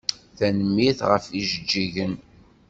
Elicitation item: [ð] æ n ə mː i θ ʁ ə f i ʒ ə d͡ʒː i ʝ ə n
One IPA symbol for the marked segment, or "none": θ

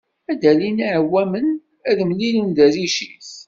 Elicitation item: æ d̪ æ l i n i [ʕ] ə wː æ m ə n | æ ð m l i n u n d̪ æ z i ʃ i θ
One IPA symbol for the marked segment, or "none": ʕ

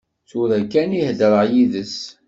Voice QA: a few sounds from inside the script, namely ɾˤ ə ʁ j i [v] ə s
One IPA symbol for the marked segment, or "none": ð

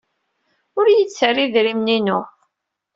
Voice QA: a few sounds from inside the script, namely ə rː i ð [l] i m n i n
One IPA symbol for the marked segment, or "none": ɾ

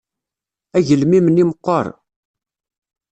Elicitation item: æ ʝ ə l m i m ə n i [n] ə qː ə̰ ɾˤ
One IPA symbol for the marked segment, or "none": m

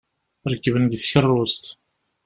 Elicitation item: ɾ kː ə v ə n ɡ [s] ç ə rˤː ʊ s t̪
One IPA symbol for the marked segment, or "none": θ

